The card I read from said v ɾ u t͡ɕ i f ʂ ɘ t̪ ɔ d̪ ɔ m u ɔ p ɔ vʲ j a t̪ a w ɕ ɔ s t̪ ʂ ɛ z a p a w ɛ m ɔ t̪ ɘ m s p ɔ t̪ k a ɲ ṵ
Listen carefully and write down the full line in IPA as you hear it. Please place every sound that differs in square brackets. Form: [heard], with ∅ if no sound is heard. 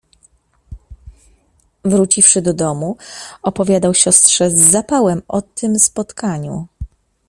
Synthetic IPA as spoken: v ɾ u t͡ɕ i f ʂ ɘ [d̪] ɔ d̪ ɔ m u ɔ p ɔ vʲ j a [d̪] a w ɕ ɔ s t̪ ʂ ɛ [zː] a p a w ɛ m ɔ t̪ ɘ m s p ɔ t̪ k a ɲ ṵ